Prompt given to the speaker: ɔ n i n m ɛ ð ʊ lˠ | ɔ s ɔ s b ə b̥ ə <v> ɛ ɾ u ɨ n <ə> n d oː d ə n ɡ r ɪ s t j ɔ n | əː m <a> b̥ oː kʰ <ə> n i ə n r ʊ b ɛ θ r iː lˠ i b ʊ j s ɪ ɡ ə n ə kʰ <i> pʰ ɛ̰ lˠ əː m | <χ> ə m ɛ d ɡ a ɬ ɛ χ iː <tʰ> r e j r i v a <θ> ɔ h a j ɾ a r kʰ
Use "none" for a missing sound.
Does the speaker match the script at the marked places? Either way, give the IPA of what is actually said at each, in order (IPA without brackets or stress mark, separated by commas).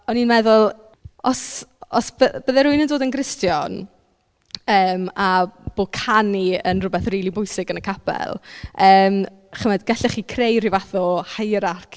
ð, ə, a, a, a, χ, kʰ, θ